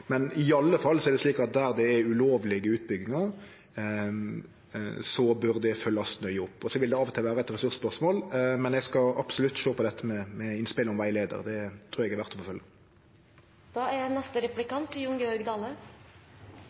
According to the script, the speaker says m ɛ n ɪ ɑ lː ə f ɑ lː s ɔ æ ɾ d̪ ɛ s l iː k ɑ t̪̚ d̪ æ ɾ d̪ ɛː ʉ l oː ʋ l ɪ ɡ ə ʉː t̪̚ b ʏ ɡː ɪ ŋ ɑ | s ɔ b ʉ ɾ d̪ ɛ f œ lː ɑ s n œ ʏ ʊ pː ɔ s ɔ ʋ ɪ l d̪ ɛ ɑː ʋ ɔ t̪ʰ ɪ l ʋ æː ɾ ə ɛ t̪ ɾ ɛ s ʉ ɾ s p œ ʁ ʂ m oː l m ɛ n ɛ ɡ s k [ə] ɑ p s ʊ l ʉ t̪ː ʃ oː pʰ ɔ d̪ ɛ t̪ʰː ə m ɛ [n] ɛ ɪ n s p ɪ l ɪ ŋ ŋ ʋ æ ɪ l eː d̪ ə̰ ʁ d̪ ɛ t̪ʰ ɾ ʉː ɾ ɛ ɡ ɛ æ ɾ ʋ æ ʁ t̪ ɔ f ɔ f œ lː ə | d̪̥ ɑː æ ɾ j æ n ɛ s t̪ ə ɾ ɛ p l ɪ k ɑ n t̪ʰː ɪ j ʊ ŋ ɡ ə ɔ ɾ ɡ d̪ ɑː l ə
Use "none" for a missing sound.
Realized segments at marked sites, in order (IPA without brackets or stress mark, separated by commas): ɑ, m